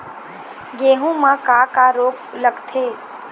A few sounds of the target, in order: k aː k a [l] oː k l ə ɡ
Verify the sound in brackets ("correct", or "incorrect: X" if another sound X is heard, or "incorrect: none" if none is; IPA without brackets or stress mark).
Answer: incorrect: ɾ